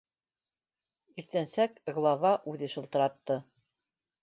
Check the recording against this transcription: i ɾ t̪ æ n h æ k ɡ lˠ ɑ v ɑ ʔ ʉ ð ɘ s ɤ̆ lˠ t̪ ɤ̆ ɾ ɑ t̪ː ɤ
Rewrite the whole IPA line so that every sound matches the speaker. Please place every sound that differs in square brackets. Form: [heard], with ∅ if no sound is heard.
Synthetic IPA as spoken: i ɾ t̪ æ n [s] æ k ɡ lˠ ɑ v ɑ ʔ ʉ ð ɘ [ʃ] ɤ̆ lˠ t̪ ɤ̆ ɾ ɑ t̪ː ɤ